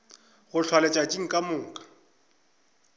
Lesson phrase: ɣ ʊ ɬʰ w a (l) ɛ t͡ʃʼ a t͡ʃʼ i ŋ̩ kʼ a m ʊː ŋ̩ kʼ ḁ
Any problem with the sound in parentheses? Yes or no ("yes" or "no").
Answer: no